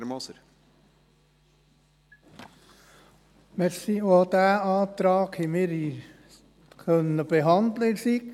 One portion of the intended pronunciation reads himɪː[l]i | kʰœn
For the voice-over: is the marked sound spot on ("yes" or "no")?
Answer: no